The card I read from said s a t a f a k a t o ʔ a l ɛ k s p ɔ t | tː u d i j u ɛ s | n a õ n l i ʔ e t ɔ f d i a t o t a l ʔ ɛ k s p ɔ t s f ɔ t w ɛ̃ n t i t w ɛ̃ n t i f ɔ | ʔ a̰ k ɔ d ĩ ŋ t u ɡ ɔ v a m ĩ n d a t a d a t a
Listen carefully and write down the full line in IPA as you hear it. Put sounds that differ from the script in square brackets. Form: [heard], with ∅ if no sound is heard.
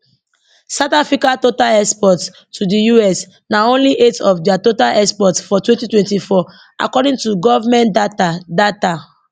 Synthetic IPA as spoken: s a t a f [i] k a t o [t] a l ɛ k s p ɔ t | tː u d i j u ɛ s | n a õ n l i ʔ e t ɔ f d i a t o t a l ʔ ɛ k s p ɔ t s f ɔ t w ɛ̃ n t i t w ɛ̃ n t i f ɔ | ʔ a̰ k ɔ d ĩ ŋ t u ɡ ɔ v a m [ɛ̃] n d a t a d a t a